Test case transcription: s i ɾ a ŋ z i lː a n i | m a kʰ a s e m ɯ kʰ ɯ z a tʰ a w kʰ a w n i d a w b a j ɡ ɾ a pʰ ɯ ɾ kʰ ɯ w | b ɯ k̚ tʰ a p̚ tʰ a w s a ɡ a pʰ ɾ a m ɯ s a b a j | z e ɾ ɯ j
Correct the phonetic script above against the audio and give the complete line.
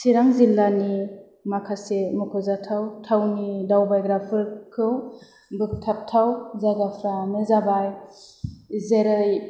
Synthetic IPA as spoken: s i ɾ a ŋ z i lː a n i | m a kʰ a s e m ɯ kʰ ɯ z a tʰ a w tʰ a w n i d a w b a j ɡ ɾ a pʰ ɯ ɾ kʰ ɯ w | b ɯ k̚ tʰ a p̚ tʰ a w z a ɡ a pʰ ɾ a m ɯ z a b a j | z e ɾ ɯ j

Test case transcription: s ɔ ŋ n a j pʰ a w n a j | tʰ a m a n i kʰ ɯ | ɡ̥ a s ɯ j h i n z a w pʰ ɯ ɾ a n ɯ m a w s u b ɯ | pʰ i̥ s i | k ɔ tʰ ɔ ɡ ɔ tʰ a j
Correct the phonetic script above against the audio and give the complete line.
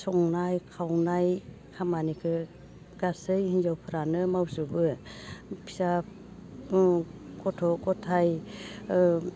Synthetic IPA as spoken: s ɔ ŋ n a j kʰ a w n a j | kʰ a m a n i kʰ ɯ | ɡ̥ a s ɯ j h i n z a w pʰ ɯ ɾ a n ɯ m a w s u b ɯ | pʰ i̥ s a | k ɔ tʰ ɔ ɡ ɔ tʰ a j

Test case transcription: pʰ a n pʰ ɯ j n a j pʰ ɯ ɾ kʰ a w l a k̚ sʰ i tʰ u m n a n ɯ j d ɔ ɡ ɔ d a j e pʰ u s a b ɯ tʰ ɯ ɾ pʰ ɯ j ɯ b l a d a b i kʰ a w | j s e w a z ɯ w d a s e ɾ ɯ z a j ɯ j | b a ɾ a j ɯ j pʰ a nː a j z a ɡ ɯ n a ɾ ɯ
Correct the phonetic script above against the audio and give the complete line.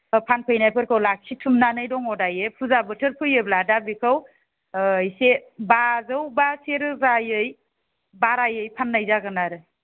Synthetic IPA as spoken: pʰ a n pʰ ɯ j n a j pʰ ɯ ɾ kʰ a w l a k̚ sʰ i tʰ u m n a n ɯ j d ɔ ŋ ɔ d a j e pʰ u z a b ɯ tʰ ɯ ɾ pʰ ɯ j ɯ b l a d a b i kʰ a w | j s e b a z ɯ w b a s e ɾ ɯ z a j ɯ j | b a ɾ a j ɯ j pʰ a nː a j z a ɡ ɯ n a ɾ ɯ

